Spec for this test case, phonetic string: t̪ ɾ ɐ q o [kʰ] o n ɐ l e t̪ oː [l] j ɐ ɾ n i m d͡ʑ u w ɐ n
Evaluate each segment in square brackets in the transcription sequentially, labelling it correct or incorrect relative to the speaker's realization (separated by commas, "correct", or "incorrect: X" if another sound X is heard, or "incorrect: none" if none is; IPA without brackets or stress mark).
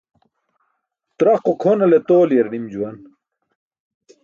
correct, correct